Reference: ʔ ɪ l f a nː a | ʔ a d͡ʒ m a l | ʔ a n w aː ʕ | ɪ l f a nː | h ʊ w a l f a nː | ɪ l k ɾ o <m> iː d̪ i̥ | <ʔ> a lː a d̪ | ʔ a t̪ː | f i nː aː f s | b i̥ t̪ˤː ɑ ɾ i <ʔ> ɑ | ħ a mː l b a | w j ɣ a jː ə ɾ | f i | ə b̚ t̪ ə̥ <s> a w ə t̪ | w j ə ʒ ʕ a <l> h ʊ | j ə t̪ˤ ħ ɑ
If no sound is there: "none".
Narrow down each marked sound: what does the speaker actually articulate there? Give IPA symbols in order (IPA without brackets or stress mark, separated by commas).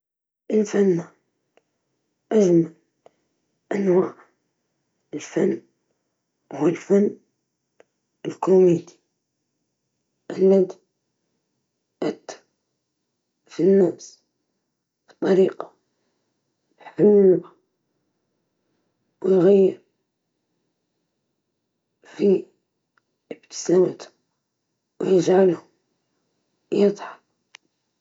m, ʔ, q, s, l